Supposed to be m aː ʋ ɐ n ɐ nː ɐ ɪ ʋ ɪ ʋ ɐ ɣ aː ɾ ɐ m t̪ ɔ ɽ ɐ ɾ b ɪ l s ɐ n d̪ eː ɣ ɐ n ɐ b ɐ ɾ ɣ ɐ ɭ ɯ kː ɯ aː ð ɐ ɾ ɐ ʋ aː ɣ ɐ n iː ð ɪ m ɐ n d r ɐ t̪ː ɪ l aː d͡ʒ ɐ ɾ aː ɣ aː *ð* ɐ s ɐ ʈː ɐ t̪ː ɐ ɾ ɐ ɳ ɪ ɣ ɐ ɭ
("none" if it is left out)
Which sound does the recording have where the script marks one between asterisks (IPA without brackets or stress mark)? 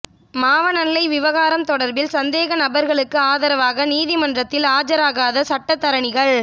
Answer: ð